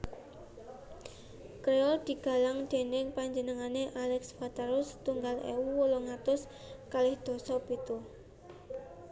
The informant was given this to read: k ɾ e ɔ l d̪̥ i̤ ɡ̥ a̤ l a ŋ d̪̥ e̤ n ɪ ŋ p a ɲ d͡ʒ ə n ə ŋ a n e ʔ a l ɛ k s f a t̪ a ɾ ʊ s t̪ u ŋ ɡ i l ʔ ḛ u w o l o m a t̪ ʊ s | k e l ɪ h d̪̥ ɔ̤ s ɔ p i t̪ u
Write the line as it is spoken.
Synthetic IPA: k ɾ e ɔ l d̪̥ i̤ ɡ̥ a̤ l a ŋ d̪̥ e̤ n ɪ ŋ p a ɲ d͡ʒ ə n ə ŋ a n e ʔ a l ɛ k s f a t̪ a ɾ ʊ s t̪ u ŋ ɡ a l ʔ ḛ u w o l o ŋ a t̪ ʊ s | k a l ɪ h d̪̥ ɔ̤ s ɔ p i t̪ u